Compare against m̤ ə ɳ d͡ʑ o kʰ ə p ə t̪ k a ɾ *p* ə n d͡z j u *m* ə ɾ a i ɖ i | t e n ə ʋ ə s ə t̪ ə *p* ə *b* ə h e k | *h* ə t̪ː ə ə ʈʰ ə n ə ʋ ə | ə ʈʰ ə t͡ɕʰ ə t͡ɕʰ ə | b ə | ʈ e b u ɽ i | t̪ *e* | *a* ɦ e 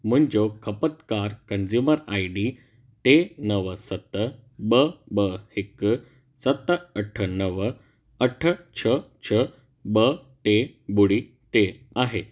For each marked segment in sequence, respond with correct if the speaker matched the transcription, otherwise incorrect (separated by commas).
incorrect, correct, incorrect, correct, incorrect, correct, correct